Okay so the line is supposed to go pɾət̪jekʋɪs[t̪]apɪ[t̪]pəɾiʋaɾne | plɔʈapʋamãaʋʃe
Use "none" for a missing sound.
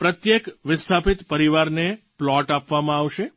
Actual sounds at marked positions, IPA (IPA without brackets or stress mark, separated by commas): t̪ʰ, t̪